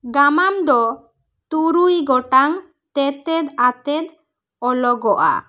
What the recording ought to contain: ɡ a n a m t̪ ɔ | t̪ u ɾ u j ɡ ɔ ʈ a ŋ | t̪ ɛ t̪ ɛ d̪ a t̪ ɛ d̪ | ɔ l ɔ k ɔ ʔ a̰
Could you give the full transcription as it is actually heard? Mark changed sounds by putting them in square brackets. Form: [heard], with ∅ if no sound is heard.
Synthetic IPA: ɡ a [m] a m [d̪] ɔ | t̪ u ɾ u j ɡ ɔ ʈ a ŋ | t̪ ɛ t̪ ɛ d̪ a t̪ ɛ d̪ | ɔ l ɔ [ɡ] ɔ ʔ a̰